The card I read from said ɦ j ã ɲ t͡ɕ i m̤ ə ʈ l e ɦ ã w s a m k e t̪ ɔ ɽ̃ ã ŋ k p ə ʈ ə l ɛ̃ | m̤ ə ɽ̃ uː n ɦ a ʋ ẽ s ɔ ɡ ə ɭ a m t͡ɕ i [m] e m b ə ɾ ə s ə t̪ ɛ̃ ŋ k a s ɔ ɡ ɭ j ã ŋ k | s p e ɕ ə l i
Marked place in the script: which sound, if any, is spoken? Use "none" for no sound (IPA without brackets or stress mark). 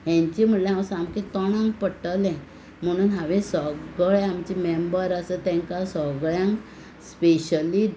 m